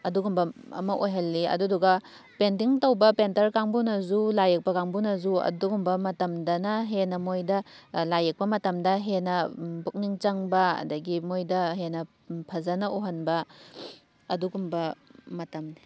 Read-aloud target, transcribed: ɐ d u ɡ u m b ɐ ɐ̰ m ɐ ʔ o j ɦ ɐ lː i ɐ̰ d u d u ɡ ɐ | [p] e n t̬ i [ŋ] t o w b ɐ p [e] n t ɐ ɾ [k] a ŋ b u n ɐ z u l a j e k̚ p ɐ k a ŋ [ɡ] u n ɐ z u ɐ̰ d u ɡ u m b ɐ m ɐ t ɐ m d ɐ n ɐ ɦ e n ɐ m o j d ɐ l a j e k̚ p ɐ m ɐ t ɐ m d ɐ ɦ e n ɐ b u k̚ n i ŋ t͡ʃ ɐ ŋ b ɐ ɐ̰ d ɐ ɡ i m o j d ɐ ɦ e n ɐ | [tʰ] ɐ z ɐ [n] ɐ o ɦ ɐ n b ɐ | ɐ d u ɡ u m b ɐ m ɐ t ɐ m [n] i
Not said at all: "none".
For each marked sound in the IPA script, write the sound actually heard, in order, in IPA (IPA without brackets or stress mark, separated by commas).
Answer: p, ŋ, e, k, b, pʰ, n, n